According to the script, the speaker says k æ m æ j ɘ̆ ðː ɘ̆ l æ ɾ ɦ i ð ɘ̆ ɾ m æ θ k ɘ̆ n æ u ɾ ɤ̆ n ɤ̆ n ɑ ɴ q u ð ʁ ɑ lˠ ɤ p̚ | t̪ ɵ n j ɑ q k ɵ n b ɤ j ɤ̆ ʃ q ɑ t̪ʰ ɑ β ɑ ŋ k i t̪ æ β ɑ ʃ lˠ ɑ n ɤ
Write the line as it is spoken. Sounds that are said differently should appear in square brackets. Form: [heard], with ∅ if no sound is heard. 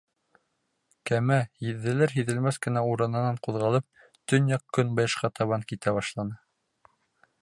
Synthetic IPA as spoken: k æ m æ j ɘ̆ ðː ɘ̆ l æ ɾ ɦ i ð ɘ̆ [l] m æ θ k ɘ̆ n æ u ɾ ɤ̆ n ɤ̆ n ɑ ɴ q u ð ʁ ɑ lˠ ɤ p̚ | t̪ ɵ n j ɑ q k ɵ n b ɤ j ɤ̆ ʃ q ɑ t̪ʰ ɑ β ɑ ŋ k i t̪ æ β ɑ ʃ lˠ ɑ n ɤ